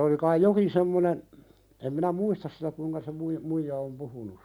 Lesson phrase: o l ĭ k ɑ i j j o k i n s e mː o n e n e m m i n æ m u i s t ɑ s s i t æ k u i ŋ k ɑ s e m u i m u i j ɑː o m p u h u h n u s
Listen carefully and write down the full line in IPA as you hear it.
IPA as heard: o l ĭ k ɑ i j j o k i n s e mː o n e n e m m i n æ m u i s t ɑ s s i t æ k u i ŋ k ɑ s e m u i m u i j ɑ o m p u h u n u s

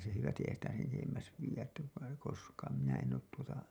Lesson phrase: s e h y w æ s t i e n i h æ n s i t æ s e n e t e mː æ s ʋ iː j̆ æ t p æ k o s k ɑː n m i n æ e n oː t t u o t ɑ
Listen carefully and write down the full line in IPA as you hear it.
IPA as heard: s e h y ʋ æ s t i e i h æ n s i t æ s e n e t e mː æ s ʋ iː j̆ æ t t æ k o s k ɑː n m i n æ e n oː t t u o t ɑ

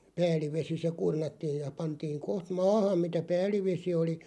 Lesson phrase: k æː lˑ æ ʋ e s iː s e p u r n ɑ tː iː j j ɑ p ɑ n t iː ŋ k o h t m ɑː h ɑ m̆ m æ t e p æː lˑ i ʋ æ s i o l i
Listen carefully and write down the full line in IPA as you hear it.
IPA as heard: p æː lˑ i ʋ e s i s e k u r n ɑ tː iː j j ɑ p ɑ n t iː ŋ k o h t m ɑː h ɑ m̆ m i t æ p æː lˑ i ʋ e s i o l i

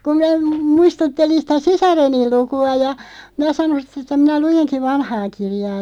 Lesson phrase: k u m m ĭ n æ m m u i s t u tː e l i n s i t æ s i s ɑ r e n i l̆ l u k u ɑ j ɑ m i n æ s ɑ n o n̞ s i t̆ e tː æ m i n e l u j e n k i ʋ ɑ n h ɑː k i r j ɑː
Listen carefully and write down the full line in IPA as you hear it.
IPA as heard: k u m m ĭ n æ m m u i s t u tː e l i n s i t æ s i s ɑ r e n i l̆ l u k u ɑ j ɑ m i n æ s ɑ n o n̞ s i t̆ e tː æ m i n æ l u j e n k i ʋ ɑ n h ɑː k i r j ɑː

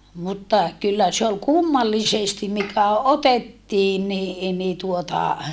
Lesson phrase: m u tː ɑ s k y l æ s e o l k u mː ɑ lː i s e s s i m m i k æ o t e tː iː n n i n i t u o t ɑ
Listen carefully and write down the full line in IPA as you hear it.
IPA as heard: m u tː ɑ k y lː æ s e o l k u mː ɑ lː i s e s t i m m i k æ o t e tː iː n n i n i t u o t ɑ

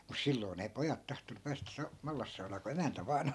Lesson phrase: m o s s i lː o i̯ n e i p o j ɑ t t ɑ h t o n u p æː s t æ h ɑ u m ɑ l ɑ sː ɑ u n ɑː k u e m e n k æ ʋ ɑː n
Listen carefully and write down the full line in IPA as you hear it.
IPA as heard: m u s s i lː o i̯ n e i p o j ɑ t t ɑ h t o n u p æː s t æ s ɑ u m ɑ lː ɑ sː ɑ u n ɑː k u e m æ n t æ ʋ ɑː n

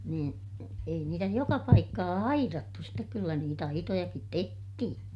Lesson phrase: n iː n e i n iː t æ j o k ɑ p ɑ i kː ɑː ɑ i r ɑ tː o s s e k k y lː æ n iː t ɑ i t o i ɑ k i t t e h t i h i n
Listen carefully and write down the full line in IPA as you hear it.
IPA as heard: n iː n e i n iː t æ j o k ɑ p ɑ i kː ɑː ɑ i r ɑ tː u s t e k k y lː æ n iː t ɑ i t o j ɑ k i t t e h t i h i n

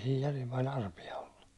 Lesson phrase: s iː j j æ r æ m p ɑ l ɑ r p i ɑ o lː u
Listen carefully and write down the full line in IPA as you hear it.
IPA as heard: s iː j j æ r i m p ɑ l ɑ r p i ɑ o lː u

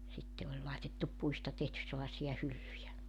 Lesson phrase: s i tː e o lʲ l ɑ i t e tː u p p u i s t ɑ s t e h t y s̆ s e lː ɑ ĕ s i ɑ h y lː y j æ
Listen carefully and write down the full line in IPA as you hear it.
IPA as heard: s i tː e o lʲ l ɑ i t e tː u p p u i s t ɑ t e h t y s̆ s e lː ɑ ĕ s i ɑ h y lː y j æ

